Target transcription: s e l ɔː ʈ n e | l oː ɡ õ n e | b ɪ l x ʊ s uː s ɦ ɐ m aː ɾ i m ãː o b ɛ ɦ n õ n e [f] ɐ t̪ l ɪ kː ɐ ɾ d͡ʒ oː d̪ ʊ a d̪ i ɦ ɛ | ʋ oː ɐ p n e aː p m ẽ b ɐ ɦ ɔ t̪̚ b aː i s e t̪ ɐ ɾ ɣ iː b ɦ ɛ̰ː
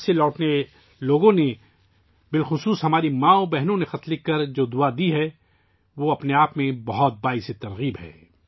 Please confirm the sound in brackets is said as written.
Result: no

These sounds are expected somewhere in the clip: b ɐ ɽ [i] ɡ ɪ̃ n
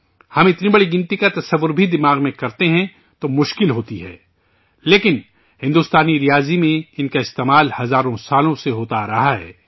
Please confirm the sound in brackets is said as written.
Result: yes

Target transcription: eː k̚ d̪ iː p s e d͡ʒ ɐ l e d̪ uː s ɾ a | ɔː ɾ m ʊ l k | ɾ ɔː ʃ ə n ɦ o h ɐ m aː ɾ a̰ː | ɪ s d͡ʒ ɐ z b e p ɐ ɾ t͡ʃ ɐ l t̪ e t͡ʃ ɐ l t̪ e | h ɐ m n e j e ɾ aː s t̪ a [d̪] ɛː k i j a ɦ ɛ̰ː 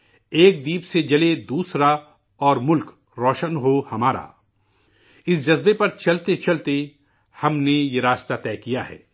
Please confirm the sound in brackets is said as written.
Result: no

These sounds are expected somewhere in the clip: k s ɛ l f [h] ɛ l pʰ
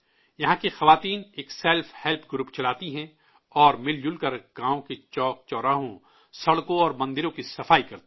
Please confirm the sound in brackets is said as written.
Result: yes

